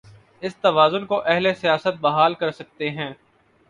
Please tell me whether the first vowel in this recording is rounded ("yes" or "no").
no